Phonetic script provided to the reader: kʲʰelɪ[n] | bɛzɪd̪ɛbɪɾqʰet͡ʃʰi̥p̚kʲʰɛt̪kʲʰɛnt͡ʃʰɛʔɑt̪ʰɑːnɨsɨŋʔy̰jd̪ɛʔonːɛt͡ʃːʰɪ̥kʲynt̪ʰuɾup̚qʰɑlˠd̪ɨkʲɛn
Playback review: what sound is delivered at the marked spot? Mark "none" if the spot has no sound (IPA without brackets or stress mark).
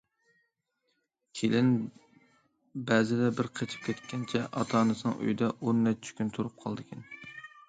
n